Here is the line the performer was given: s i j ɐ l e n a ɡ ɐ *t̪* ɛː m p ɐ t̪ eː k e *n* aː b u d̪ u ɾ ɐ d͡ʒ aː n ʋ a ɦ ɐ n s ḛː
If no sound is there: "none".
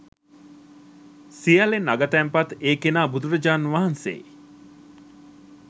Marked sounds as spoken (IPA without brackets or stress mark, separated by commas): t̪, n